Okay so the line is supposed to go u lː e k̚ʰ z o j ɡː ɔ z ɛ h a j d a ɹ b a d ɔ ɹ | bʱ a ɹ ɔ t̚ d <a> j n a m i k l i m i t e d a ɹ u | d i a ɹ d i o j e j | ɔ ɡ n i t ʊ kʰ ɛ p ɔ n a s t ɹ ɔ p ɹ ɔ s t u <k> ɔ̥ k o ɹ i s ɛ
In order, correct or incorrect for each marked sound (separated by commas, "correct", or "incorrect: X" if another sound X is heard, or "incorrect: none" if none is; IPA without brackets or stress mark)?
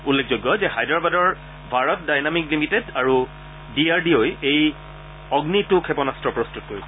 correct, incorrect: t